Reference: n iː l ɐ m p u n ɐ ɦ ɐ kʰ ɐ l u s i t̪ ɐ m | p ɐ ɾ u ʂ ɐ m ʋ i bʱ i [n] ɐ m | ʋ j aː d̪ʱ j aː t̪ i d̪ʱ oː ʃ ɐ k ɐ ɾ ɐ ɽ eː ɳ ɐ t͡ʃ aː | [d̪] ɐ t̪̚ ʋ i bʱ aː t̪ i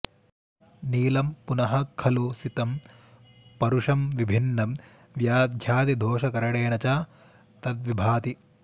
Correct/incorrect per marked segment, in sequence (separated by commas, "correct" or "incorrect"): incorrect, incorrect